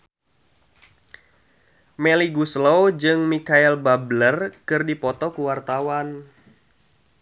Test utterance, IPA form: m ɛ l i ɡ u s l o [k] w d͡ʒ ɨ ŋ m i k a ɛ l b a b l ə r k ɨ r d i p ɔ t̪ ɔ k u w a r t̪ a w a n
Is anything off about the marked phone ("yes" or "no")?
yes